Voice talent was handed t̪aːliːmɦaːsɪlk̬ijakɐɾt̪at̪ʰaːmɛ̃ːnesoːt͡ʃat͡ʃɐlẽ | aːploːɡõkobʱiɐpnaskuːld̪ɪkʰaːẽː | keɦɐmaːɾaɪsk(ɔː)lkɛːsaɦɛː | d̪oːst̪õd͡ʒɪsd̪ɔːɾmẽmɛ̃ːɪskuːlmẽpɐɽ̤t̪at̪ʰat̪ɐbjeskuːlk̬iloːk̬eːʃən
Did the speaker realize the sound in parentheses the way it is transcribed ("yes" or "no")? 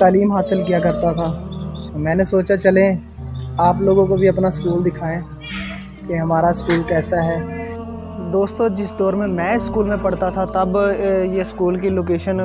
no